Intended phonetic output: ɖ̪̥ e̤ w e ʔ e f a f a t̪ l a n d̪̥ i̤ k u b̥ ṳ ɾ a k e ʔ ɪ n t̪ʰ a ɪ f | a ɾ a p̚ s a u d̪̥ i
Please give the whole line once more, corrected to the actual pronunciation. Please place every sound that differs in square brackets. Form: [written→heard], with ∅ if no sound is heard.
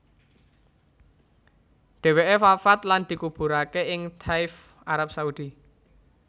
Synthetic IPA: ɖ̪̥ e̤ w e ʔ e f a f a t̪ l a n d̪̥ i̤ k u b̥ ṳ ɾ a k e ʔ ɪ [n→ŋ] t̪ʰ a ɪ f | a ɾ a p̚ s a u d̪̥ i